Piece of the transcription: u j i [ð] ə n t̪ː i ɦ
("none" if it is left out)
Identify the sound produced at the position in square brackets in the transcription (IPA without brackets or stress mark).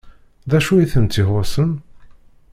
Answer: θ